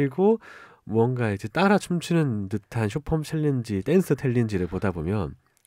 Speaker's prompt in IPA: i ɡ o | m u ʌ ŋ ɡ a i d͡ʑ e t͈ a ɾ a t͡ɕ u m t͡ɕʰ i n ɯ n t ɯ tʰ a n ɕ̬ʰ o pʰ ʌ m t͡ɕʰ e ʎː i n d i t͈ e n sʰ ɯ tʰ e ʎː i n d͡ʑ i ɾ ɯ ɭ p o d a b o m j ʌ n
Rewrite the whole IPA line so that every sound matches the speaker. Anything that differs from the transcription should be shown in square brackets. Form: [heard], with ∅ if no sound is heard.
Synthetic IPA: i ɡ o | m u ʌ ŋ ɡ a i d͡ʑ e t͈ a ɾ a [t͡ɕʰ] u m t͡ɕʰ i n ɯ n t ɯ tʰ a n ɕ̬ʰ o pʰ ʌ m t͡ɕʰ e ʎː i n [d͡ʑ] i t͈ e n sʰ ɯ tʰ e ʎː i n d͡ʑ i ɾ ɯ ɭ p o d a b o m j ʌ n